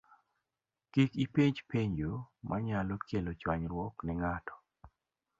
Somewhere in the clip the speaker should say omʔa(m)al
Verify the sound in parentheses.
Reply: incorrect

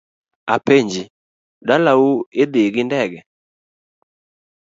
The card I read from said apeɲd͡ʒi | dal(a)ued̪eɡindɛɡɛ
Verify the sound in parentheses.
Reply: correct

